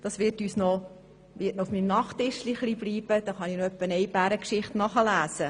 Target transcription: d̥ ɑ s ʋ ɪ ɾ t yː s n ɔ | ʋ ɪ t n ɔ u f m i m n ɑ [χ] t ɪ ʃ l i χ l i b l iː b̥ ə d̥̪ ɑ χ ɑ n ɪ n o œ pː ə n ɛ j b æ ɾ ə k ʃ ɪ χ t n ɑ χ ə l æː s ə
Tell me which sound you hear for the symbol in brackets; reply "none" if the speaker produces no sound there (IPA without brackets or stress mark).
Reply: χ